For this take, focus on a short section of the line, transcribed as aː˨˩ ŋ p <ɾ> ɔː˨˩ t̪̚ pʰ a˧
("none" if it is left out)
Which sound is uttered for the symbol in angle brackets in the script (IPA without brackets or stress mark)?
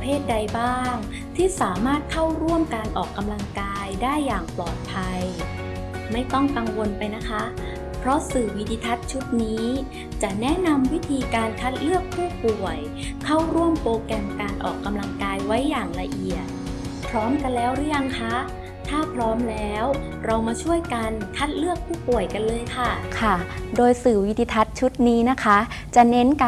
l